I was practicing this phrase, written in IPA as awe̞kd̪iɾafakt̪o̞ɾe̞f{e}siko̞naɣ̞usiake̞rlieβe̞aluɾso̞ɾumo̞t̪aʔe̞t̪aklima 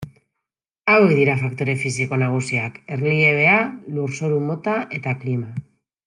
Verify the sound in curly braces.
incorrect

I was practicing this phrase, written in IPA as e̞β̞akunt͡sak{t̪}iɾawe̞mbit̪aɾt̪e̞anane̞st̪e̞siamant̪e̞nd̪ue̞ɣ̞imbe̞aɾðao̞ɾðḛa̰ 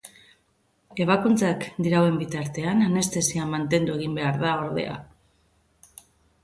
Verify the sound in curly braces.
incorrect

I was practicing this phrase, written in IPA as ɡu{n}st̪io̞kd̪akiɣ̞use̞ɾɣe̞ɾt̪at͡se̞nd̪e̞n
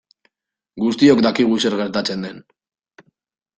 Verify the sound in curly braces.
incorrect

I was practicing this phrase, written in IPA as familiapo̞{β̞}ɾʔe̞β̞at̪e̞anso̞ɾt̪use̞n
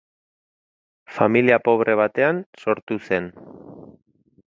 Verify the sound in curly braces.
correct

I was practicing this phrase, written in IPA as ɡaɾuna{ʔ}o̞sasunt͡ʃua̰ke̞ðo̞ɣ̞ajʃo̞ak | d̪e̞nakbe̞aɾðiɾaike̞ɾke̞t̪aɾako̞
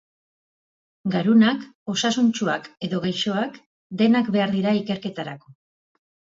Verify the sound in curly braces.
incorrect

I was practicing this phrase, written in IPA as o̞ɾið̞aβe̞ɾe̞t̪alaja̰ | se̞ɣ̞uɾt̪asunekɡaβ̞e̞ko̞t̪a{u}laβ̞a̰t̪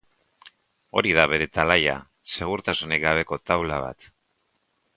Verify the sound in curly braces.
incorrect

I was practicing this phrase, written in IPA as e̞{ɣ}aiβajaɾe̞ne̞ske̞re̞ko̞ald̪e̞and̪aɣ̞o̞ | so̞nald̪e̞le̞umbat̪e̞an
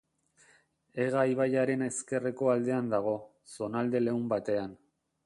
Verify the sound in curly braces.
correct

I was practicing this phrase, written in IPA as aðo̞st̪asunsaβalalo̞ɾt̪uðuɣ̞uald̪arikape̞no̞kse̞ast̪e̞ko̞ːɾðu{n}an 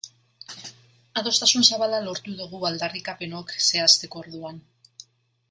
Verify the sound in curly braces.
incorrect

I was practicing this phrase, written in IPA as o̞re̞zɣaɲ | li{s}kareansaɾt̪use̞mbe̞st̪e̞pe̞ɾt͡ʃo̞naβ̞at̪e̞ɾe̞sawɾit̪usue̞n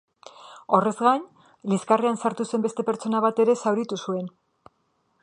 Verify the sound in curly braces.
correct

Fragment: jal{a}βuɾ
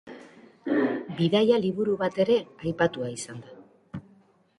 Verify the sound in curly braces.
incorrect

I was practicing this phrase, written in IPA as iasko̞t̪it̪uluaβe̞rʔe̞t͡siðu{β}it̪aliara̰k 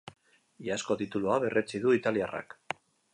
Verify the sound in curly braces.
incorrect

